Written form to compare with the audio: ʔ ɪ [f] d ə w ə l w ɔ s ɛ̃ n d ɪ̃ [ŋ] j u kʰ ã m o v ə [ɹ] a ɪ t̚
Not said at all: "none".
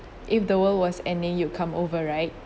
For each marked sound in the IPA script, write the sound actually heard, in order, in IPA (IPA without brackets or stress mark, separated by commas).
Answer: f, ŋ, ɹ